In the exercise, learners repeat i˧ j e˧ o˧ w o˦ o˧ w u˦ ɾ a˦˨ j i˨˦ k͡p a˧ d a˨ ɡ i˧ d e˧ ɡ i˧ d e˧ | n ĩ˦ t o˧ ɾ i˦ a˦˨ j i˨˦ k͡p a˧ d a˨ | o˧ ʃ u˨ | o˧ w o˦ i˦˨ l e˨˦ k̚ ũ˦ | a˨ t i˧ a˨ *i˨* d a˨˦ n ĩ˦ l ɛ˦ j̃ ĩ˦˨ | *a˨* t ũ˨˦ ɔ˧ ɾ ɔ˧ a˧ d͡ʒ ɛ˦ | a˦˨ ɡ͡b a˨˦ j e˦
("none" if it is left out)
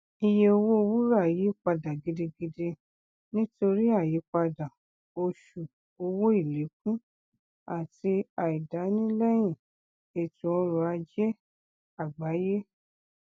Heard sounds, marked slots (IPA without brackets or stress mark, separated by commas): i˨, e˨